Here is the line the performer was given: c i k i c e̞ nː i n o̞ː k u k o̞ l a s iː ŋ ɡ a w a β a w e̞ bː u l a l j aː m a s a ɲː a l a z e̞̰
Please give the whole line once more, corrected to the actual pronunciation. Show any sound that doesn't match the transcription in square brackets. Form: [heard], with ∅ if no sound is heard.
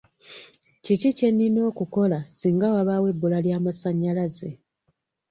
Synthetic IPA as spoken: c i [c] i c e̞ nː i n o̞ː k u k o̞ l a s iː ŋ ɡ a w a β a w e̞ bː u l a l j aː m a s a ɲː a l a z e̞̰